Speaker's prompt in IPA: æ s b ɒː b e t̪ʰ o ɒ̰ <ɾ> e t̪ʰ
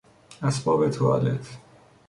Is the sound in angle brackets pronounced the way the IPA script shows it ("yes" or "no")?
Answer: no